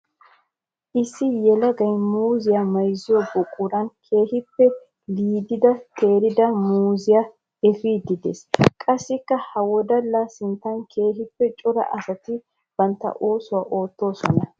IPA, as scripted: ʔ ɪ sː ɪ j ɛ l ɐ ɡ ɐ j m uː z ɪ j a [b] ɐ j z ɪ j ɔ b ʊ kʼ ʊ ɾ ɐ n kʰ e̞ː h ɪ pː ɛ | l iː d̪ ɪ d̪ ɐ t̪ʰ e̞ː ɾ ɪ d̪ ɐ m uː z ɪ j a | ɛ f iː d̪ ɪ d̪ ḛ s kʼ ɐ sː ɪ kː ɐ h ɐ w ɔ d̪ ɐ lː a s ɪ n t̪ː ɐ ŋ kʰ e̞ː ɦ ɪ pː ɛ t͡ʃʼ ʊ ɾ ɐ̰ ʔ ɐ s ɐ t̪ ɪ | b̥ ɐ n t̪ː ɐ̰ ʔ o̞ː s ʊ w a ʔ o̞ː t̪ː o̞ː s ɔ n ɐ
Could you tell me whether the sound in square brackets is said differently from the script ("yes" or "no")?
yes